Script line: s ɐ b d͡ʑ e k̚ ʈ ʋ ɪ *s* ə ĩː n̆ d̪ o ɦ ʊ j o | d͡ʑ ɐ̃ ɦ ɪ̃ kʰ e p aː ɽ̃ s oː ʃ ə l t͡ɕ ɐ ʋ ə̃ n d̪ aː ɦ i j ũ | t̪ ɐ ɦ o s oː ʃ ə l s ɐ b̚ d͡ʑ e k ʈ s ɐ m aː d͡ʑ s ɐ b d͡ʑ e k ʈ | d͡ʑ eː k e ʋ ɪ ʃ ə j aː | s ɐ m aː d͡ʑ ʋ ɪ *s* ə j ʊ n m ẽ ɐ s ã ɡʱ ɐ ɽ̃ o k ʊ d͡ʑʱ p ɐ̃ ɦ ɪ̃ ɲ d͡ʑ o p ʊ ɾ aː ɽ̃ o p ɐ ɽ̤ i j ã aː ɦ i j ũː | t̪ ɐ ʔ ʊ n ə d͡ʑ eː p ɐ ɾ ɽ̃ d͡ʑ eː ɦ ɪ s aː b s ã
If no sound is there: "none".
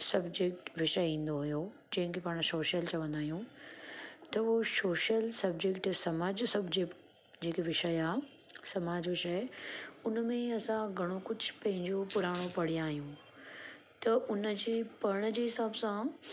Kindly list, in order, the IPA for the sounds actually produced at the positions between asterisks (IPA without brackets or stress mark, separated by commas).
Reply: ʃ, ʃ